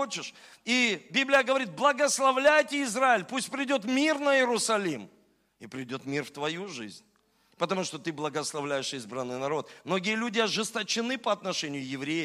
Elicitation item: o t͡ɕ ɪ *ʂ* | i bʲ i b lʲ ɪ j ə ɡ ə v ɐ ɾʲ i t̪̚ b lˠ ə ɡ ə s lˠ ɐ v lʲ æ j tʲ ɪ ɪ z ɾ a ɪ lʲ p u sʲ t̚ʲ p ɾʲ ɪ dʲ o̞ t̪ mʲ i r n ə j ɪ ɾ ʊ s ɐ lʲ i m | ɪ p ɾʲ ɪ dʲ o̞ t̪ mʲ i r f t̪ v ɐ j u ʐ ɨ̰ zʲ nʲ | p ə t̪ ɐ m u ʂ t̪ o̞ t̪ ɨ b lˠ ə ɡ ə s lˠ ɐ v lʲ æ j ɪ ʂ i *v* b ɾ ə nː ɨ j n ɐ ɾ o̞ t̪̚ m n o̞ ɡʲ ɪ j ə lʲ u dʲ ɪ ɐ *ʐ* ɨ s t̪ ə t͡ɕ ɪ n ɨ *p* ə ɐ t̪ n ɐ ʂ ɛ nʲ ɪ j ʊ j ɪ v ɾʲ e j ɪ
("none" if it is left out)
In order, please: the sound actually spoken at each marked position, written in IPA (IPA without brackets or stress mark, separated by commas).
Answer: ʂ, z, ʐ, p